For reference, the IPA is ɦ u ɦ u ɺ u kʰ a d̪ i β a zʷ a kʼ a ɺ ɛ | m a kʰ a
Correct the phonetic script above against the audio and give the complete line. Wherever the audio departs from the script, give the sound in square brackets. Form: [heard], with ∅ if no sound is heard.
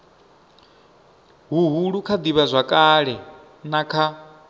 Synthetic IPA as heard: ɦ u ɦ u ɺ u kʰ a d̪ i β a zʷ a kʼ a ɺ ɛ | [n] a kʰ a